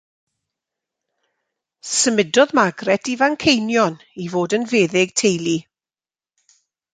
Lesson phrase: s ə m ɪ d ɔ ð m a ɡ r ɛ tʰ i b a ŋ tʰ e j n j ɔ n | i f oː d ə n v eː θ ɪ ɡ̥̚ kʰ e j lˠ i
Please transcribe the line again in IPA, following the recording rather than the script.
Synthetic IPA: s ə m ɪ d ɔ ð m a ɡ r ɛ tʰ i v a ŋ kʰ e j n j ɔ n | i v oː d ə n v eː ð ɪ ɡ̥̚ tʰ e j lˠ i